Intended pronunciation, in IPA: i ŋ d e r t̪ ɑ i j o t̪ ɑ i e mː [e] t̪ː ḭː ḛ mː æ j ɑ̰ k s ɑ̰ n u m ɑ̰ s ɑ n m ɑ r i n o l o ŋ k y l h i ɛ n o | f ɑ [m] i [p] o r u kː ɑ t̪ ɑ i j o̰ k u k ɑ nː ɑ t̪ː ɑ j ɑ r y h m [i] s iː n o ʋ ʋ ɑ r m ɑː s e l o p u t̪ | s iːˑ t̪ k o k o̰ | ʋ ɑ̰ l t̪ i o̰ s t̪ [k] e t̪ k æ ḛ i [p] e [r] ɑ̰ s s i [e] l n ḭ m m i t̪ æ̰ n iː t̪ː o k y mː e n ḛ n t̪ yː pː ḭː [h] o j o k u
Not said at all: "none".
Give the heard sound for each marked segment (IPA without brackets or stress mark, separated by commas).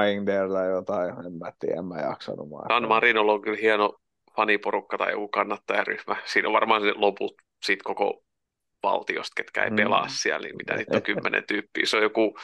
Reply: æ, n, p, æ, k, p, l, æ, s